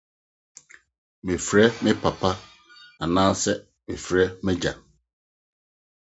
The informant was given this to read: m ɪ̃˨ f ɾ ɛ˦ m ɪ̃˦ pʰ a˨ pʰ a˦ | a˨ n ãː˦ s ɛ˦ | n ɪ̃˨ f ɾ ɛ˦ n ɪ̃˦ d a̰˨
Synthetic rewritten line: m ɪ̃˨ f ɾ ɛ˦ m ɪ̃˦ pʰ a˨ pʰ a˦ | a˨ n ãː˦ s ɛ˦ | m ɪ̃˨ f ɾ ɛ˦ m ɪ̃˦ d͡ʑ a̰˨